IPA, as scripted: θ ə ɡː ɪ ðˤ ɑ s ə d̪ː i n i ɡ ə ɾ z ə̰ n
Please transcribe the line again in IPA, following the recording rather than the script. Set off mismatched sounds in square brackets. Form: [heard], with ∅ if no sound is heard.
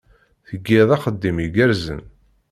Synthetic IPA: θ ə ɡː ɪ ðˤ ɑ [χ] ə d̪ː i [m] i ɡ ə ɾ z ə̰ n

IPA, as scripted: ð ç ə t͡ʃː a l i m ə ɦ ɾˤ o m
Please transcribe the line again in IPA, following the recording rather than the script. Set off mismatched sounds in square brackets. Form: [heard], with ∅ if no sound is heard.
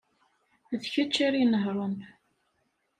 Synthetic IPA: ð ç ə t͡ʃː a [ɾ] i [n] ə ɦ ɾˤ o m

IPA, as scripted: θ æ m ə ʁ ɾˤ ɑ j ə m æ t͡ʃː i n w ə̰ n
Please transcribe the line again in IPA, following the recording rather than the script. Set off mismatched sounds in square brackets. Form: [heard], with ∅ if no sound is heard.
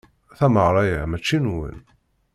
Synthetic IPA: θ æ m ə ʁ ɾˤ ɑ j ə m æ t͡ʃː i n w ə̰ n

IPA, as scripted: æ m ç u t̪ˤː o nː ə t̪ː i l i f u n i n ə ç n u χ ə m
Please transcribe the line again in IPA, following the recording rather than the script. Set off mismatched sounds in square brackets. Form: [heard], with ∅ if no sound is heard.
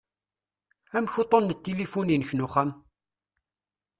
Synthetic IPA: æ m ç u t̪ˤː o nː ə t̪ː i l i f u n i n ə ç n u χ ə m

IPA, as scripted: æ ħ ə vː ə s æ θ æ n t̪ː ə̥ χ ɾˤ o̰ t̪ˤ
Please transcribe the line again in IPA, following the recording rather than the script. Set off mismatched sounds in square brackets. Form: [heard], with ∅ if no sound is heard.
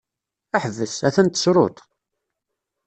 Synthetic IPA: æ ħ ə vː ə s æ θ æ n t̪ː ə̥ [s] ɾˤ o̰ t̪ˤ

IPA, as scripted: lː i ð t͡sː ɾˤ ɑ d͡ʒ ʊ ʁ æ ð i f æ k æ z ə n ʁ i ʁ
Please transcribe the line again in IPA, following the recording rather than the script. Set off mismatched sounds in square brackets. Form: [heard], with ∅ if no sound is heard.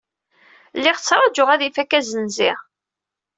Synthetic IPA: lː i [ʁ] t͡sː ɾˤ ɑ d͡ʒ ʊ ʁ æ ð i f æ k æ z ə n [z] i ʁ

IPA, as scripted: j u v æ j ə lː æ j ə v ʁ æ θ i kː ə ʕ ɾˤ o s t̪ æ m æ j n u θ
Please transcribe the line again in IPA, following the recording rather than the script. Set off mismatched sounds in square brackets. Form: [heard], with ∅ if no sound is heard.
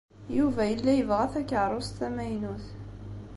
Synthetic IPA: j u v æ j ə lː æ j ə v ʁ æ θ [æ] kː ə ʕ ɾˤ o s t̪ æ m æ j n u θ

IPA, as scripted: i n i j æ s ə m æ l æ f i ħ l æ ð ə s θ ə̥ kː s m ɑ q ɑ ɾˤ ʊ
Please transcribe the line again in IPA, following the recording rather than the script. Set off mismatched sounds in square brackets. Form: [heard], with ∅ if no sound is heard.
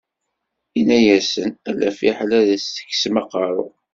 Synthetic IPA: i n [æ] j æ s ə [n] æ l æ f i ħ l æ ð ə s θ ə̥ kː s m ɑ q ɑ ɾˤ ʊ

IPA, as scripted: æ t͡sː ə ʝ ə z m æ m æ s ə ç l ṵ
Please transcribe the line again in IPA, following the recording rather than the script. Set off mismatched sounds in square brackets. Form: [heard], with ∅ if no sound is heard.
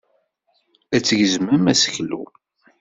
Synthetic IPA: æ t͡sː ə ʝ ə z m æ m æ s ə ç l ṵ

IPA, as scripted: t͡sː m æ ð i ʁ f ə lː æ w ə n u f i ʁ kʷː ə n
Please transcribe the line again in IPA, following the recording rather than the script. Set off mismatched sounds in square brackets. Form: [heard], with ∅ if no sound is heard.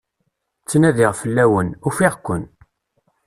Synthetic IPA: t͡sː [n] æ ð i ʁ f ə lː æ w ə n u f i ʁ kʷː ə n

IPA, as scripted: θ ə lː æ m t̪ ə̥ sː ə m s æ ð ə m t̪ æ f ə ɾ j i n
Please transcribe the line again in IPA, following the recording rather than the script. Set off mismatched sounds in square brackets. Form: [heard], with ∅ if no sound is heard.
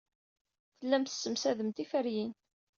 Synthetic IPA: θ ə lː æ m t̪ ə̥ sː ə m s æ ð ə m t̪ [i] f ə ɾ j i n

